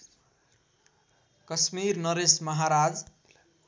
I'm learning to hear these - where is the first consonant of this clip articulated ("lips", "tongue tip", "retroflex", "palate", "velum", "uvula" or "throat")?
velum